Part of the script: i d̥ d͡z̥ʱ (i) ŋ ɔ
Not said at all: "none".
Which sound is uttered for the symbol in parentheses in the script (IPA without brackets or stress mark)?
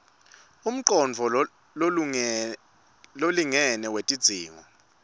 iː